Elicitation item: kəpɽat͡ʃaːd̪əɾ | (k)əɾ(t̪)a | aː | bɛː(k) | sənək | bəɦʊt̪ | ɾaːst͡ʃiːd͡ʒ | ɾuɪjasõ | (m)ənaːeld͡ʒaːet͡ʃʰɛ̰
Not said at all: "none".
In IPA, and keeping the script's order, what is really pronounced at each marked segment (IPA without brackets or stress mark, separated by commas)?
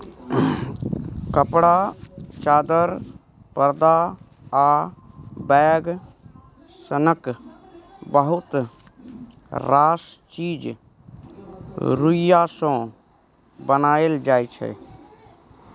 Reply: p, d̪, ɡ, b